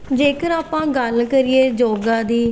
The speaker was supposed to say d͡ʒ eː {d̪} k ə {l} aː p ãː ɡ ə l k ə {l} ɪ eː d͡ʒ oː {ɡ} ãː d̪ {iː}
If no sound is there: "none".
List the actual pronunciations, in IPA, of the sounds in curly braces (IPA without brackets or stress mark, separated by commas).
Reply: none, ɾ, ɾ, ɡ, iː